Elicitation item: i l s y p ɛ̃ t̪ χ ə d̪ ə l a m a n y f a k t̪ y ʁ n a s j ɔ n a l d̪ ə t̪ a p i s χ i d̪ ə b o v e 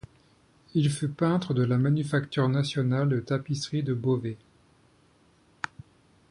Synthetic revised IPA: i l f y p ɛ̃ t̪ χ ə d̪ ə l a m a n y f a k t̪ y ʁ n a s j ɔ n a l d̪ ə t̪ a p i s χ i d̪ ə b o v e